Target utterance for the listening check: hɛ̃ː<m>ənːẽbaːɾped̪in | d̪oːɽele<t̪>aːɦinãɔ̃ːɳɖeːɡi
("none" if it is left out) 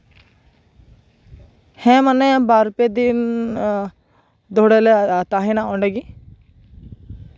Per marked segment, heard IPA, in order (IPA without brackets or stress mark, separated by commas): m, t̪